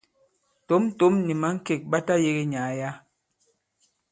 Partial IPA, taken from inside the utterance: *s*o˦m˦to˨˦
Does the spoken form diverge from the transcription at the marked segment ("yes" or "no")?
yes